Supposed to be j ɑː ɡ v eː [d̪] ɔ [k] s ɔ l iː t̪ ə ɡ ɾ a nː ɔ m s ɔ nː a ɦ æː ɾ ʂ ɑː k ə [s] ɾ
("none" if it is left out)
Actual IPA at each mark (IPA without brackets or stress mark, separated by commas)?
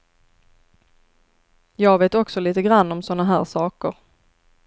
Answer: t̪, k, none